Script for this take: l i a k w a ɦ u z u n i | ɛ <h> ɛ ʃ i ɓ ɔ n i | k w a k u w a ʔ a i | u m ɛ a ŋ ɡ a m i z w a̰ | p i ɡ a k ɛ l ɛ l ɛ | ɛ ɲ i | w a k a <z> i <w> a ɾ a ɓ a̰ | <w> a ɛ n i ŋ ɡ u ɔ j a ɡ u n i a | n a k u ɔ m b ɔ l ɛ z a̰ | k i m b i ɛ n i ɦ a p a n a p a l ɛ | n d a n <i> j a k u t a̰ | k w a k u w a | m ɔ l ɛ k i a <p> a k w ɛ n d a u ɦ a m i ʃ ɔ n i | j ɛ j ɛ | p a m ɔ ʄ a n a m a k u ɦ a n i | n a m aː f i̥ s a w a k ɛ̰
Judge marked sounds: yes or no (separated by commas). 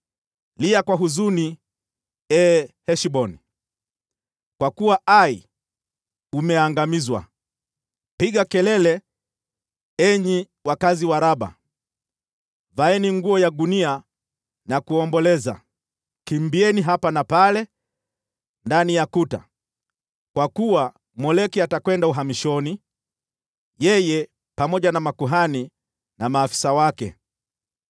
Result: yes, yes, yes, no, yes, no